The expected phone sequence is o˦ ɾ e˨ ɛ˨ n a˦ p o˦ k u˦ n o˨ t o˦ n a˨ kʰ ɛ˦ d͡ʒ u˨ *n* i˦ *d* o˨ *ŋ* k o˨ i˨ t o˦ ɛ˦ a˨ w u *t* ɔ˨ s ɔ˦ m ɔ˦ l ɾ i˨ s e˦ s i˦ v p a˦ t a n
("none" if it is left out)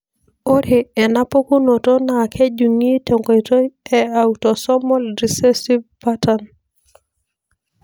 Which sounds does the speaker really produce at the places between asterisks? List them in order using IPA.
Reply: ŋ, t, ŋ, t

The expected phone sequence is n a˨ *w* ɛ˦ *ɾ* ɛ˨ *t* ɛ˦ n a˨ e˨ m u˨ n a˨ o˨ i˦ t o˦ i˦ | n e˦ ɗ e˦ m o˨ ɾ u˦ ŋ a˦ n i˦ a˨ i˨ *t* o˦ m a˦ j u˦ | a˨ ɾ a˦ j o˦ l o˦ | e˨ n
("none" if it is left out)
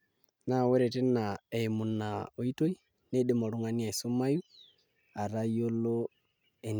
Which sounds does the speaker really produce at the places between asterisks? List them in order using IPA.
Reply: w, ɾ, t, s

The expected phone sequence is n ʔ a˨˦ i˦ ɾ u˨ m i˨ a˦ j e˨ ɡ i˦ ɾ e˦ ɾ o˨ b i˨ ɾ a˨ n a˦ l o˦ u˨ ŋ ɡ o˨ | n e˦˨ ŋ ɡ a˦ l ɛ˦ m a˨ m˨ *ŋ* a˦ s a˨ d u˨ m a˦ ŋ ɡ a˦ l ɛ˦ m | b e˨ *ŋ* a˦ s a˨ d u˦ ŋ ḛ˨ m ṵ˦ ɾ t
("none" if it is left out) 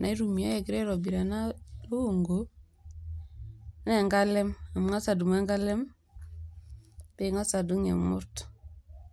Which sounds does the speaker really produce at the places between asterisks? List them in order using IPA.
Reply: ŋ, ŋ

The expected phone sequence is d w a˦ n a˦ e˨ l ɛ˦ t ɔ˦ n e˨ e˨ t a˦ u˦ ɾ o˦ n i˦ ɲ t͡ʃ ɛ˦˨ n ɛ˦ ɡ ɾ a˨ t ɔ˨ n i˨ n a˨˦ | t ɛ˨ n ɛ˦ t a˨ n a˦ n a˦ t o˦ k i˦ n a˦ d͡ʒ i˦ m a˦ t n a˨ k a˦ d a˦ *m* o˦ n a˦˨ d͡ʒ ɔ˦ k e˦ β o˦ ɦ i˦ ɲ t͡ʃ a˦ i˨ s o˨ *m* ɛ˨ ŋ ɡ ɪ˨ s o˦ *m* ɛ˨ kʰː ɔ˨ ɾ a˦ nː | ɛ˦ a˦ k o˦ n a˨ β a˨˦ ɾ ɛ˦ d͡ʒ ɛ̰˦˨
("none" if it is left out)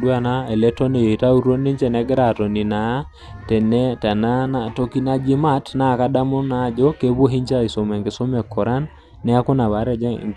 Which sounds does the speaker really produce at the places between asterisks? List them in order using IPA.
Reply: m, m, m

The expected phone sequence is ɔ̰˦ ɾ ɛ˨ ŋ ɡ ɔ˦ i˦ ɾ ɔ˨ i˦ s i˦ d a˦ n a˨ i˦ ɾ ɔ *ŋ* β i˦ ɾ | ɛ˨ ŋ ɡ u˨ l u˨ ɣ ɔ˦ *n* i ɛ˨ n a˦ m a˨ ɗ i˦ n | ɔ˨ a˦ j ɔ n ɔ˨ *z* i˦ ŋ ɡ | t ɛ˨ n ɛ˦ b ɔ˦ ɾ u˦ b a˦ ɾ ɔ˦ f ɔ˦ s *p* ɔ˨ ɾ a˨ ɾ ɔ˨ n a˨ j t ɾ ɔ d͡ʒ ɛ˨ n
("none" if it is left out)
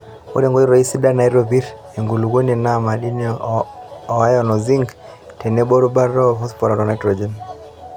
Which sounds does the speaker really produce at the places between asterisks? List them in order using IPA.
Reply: none, n, z, p

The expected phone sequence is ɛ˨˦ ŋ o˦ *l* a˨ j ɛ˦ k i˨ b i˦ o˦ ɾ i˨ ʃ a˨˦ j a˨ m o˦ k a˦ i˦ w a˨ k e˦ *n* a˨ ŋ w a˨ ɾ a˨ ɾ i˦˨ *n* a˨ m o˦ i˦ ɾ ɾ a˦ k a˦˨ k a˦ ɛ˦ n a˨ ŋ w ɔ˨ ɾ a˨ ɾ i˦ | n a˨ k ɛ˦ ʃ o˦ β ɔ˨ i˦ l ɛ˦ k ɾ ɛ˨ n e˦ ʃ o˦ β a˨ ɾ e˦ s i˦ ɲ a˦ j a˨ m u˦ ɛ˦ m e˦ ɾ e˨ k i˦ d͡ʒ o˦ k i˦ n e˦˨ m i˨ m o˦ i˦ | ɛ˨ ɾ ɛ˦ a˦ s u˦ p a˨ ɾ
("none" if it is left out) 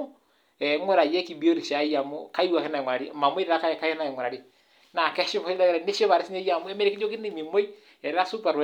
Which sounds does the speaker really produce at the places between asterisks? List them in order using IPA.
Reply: ɾ, n, m

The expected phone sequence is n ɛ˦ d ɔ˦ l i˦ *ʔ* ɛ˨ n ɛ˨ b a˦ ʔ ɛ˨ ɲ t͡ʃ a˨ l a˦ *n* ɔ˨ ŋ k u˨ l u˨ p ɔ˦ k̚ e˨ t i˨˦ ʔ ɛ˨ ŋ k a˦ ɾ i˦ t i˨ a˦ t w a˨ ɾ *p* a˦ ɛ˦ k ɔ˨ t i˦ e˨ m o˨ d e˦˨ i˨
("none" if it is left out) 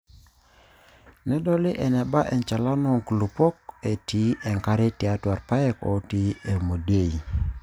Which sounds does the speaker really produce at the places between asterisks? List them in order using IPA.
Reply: ʔ, n, p

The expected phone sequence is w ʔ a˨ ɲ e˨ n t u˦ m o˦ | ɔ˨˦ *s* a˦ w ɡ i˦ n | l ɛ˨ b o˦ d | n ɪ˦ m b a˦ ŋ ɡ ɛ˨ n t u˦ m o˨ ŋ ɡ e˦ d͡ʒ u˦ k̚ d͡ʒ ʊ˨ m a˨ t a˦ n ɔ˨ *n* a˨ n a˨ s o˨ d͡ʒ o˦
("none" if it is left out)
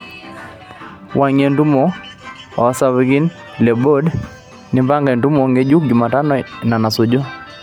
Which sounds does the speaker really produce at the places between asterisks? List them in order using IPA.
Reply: s, n

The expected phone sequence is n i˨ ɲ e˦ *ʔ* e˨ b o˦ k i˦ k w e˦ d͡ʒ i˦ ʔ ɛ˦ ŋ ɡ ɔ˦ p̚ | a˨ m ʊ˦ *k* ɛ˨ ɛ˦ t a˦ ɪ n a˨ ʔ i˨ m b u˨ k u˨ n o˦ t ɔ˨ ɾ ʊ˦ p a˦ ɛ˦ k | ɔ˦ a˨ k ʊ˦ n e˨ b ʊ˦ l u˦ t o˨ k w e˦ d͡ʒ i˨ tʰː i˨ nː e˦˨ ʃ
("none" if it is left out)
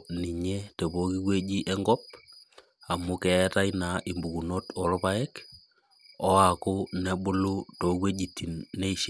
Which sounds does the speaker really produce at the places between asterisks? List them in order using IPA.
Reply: t, k

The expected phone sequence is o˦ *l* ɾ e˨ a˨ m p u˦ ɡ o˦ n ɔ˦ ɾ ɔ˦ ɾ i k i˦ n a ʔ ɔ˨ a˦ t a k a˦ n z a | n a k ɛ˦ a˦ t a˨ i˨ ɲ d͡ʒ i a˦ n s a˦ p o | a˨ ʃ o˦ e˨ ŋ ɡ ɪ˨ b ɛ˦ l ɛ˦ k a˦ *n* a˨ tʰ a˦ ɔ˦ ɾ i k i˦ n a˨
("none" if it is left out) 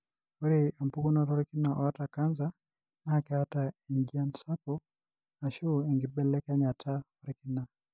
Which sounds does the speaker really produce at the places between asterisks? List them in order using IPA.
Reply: none, ɲ

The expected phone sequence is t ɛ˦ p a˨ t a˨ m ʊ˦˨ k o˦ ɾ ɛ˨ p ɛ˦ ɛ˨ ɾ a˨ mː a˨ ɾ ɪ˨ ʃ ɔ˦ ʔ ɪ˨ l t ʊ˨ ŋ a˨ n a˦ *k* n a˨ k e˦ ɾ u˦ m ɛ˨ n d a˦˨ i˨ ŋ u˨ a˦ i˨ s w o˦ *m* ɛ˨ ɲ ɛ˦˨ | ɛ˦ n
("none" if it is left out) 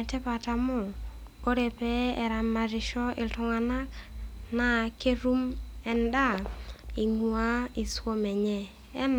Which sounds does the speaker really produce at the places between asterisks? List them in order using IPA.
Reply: k, m

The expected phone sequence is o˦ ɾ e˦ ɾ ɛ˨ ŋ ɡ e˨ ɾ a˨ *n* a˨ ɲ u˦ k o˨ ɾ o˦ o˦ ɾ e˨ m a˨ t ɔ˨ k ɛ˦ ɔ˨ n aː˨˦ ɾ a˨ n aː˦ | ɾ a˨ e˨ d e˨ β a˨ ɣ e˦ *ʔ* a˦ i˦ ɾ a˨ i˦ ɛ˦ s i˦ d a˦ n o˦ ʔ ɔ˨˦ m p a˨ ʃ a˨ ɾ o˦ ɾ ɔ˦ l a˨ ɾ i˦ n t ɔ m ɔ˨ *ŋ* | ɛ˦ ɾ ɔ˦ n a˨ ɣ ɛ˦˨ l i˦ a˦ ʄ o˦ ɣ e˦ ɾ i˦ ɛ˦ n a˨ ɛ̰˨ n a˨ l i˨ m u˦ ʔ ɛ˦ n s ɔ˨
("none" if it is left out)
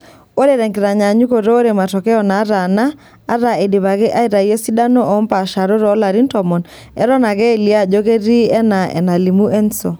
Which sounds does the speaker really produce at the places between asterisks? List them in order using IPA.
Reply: ɲ, ʔ, n

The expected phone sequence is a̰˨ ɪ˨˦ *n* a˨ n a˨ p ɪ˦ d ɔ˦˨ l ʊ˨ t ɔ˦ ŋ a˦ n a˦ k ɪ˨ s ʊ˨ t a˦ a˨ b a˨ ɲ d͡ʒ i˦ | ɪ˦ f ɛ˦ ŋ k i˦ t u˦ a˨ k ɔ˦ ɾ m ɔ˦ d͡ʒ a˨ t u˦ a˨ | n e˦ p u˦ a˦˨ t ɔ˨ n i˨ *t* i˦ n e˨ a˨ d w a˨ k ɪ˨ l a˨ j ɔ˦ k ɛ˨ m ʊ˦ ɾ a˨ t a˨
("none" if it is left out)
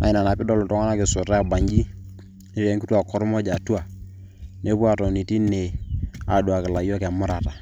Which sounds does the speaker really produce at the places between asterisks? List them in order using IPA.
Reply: n, t

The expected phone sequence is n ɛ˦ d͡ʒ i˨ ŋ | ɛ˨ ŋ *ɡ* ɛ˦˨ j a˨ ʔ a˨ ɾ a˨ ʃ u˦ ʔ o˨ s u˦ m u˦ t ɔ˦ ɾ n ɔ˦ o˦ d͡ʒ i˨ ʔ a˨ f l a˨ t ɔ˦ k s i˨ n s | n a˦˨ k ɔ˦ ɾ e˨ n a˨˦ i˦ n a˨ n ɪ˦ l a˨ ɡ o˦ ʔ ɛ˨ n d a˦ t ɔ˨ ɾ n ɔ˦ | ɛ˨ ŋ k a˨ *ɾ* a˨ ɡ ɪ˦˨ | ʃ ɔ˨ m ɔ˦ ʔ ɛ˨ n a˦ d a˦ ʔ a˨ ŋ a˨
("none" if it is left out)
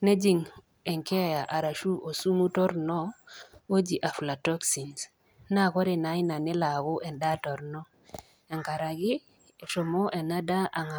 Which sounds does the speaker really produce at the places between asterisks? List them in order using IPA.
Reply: k, ɾ

